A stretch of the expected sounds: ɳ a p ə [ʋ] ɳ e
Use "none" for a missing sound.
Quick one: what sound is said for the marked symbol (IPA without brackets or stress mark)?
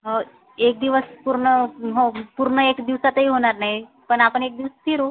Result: none